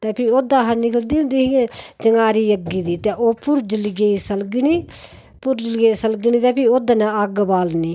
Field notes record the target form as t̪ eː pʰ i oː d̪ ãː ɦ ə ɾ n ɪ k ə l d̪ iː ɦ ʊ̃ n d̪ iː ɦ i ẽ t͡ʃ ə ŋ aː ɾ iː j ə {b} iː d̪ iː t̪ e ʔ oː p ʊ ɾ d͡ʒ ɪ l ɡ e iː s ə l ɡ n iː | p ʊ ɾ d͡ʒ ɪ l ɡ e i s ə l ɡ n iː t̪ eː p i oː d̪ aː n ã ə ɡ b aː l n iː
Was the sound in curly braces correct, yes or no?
no